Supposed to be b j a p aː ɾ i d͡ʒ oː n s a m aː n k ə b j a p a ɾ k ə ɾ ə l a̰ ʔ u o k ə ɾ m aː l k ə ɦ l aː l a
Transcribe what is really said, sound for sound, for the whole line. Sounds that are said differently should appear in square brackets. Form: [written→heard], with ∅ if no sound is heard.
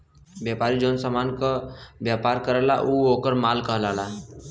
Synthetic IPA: b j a p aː ɾ i d͡ʒ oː n s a m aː n k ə b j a p a ɾ k ə ɾ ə l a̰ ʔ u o k ə ɾ m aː l k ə ɦ l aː l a